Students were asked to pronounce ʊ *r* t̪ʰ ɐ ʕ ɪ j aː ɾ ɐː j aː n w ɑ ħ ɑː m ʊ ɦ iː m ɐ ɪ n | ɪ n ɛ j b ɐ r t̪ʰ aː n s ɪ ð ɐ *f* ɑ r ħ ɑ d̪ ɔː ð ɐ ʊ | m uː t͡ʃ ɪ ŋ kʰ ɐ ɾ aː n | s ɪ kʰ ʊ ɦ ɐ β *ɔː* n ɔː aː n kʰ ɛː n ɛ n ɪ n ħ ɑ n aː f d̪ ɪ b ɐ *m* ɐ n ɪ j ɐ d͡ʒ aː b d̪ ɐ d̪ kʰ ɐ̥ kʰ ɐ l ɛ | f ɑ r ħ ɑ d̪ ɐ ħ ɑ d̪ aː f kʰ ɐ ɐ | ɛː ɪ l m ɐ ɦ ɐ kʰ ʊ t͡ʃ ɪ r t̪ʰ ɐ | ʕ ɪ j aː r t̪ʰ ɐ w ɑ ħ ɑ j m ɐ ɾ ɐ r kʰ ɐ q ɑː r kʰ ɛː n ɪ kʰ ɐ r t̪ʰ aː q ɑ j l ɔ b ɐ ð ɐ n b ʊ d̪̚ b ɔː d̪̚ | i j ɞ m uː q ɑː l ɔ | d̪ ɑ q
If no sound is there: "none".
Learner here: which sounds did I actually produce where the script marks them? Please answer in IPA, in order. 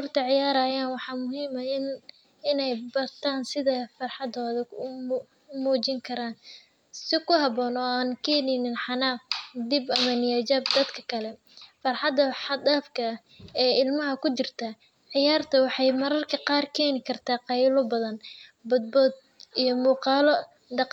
r, f, ɔː, m

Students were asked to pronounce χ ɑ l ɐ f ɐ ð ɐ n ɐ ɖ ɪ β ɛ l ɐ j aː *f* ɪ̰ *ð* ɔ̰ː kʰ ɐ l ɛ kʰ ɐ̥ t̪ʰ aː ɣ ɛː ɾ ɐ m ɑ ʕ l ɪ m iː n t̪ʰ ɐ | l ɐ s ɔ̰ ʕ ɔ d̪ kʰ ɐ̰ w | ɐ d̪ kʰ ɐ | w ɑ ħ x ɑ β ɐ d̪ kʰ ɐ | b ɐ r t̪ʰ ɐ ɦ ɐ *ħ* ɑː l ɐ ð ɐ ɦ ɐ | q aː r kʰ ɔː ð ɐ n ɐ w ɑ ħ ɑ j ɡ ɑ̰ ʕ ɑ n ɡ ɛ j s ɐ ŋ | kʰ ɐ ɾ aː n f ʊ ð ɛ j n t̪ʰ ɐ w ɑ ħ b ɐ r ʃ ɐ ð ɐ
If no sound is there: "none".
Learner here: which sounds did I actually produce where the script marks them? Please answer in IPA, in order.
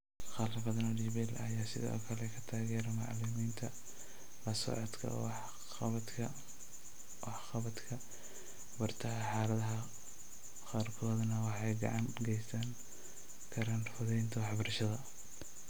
s, ð, ħ

